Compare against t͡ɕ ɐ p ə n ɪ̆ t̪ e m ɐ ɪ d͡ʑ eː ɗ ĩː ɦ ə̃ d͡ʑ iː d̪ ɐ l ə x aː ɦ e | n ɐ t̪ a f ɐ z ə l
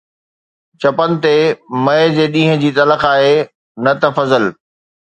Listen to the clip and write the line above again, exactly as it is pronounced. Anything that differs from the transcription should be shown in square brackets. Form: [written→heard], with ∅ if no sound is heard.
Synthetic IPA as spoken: t͡ɕ ɐ p ə n ɪ̆ t̪ e m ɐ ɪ d͡ʑ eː ɗ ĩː ɦ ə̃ d͡ʑ iː [d̪→t̪] ɐ l ə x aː ɦ e | n ɐ t̪ [a→ɐ] f ɐ z ə l